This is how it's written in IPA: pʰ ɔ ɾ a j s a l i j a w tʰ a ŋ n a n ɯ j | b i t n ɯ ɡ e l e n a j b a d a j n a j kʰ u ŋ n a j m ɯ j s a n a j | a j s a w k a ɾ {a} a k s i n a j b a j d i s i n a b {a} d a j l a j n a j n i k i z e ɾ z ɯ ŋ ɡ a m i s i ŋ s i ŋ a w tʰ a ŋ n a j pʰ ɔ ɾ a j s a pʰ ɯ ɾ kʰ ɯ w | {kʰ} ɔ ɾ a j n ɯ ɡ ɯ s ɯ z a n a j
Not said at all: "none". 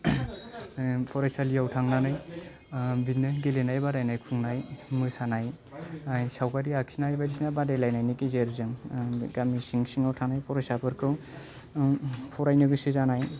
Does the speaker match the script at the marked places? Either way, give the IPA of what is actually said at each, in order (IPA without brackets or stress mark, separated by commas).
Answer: i, a, pʰ